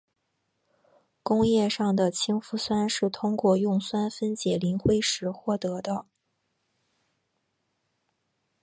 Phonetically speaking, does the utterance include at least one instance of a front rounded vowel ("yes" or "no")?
no